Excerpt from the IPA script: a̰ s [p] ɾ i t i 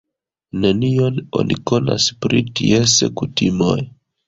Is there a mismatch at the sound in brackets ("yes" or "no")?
no